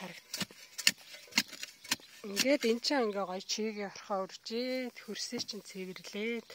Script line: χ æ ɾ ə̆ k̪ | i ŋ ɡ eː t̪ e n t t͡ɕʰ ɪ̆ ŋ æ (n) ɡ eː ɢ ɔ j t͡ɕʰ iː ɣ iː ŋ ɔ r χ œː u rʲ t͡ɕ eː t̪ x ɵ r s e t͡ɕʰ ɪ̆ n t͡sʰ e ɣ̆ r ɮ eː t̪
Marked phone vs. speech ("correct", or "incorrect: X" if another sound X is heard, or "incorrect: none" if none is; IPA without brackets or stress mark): incorrect: ŋ